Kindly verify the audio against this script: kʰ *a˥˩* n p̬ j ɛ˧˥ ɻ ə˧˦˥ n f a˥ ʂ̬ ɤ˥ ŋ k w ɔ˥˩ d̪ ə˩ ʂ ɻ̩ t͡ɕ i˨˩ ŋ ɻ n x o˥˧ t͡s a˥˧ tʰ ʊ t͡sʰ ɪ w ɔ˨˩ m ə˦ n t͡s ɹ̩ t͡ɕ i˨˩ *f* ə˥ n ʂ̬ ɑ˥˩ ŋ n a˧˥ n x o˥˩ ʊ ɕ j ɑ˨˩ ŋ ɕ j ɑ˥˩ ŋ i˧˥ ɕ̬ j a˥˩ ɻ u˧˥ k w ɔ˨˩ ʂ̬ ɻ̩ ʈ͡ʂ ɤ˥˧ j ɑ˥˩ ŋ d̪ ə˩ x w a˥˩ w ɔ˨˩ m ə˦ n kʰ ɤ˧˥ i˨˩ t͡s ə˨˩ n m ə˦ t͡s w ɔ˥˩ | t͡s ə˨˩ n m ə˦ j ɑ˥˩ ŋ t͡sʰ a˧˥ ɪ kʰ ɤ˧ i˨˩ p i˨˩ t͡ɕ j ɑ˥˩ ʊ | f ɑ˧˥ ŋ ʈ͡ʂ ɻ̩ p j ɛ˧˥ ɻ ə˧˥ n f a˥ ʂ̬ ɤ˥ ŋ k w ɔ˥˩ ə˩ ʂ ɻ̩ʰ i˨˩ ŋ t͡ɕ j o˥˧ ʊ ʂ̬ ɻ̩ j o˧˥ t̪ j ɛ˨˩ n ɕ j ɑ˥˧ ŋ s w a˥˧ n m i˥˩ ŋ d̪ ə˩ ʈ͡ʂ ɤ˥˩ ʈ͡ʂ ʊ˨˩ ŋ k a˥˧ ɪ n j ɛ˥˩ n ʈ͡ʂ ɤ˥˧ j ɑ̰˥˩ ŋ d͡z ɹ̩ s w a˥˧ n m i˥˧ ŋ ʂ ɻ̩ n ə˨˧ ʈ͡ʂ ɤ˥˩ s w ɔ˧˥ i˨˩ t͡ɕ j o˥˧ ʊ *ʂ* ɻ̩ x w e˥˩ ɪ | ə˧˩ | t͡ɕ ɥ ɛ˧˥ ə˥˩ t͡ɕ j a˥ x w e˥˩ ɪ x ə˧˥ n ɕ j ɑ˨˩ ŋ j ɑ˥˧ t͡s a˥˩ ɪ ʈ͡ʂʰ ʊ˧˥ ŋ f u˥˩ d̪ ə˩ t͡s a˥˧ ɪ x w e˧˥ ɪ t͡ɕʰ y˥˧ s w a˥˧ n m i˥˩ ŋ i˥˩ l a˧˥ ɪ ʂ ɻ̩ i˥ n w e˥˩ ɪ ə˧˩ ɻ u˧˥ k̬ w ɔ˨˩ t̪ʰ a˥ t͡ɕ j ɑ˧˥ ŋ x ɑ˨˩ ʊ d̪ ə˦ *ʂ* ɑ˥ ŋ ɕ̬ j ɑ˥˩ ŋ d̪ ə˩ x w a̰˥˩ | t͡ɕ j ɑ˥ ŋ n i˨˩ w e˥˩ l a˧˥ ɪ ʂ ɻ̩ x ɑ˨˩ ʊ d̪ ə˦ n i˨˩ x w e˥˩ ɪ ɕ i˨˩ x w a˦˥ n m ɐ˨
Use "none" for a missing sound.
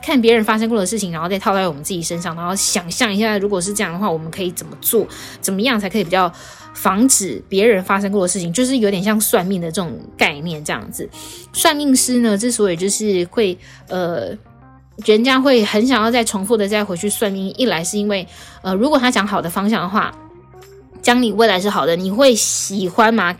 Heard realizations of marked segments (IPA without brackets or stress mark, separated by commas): a˥˩, ʂ, ʂ, f